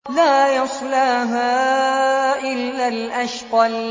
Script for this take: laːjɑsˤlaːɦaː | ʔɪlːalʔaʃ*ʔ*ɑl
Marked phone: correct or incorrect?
incorrect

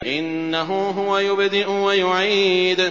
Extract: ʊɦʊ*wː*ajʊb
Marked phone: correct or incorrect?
incorrect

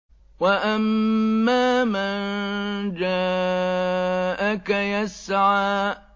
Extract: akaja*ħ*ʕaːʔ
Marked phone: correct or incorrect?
incorrect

